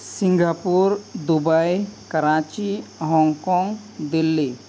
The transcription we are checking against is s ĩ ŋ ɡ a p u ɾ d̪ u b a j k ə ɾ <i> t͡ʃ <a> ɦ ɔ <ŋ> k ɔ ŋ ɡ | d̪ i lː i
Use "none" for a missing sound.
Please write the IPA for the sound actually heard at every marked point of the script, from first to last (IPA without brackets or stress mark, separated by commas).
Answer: a, i, ŋ